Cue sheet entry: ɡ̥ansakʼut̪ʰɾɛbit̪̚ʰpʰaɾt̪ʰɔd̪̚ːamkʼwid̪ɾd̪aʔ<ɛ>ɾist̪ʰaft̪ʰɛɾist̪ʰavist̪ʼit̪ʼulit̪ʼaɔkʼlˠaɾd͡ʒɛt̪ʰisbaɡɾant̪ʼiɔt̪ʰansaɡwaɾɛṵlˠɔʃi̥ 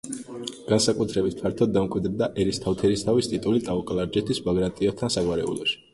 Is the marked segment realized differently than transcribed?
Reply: no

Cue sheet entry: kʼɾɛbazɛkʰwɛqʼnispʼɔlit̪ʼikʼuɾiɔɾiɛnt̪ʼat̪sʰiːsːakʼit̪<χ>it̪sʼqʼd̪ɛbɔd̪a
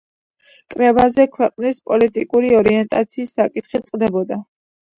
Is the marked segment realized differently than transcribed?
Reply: no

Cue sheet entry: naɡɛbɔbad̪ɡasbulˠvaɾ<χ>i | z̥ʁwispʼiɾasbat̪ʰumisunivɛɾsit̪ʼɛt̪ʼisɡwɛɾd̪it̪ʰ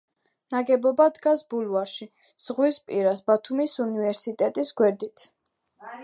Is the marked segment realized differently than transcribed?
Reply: yes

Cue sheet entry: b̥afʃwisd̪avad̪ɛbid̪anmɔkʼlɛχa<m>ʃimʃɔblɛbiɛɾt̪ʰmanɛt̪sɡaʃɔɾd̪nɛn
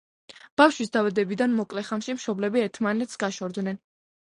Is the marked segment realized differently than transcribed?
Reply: no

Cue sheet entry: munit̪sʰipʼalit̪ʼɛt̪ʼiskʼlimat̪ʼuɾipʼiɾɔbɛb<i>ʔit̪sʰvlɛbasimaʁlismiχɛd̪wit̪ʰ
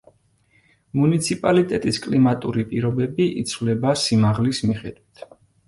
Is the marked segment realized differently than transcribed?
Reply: no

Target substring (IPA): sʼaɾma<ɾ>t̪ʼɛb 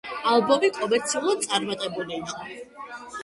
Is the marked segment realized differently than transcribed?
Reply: yes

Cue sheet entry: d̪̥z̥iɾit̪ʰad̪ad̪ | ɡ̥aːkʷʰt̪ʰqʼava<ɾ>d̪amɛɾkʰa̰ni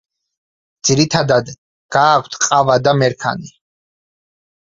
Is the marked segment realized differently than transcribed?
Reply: yes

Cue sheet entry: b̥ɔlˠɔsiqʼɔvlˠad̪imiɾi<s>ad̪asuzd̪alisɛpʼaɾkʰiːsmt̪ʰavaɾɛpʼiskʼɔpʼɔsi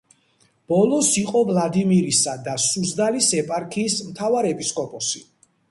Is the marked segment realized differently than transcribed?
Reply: no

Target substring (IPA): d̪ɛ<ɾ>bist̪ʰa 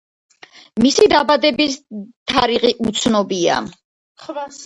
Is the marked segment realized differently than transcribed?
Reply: yes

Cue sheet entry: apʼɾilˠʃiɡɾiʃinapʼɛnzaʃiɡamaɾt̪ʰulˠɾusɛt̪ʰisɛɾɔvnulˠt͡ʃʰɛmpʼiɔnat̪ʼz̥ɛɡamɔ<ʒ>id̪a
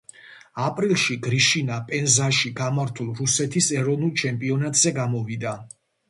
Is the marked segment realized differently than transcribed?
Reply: yes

